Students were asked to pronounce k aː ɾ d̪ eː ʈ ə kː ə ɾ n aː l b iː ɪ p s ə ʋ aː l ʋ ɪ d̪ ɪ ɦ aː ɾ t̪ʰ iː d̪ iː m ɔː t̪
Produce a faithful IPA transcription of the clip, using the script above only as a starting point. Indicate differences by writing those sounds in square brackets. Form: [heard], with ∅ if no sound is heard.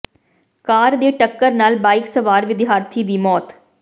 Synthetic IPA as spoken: k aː ɾ d̪ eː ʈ ə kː ə ɾ n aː l b [aː] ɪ [k] s ə ʋ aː [ɾ] ʋ ɪ d̪ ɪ ɦ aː ɾ t̪ʰ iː d̪ iː m ɔː t̪